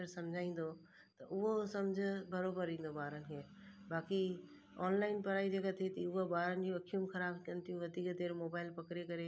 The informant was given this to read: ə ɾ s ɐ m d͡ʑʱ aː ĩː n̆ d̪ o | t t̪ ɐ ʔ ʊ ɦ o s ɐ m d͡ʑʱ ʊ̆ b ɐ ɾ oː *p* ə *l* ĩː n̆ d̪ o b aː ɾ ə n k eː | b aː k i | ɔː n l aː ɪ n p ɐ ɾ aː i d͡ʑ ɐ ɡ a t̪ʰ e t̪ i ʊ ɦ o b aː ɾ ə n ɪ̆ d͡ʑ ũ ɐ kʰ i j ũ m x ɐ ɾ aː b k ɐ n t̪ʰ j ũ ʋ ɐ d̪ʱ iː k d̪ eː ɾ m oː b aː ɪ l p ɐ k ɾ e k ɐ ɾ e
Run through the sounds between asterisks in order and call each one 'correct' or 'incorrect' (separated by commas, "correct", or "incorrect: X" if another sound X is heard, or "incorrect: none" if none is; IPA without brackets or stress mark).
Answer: incorrect: b, incorrect: ɾ